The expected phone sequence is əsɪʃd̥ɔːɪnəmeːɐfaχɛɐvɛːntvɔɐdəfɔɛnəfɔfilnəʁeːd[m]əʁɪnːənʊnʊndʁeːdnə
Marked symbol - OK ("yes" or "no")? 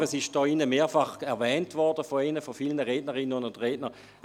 no